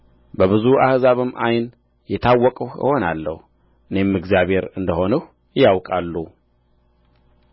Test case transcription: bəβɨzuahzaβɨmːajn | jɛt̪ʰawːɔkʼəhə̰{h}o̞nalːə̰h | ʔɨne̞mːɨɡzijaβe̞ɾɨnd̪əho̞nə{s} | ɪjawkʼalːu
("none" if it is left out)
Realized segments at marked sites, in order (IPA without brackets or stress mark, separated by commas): h, h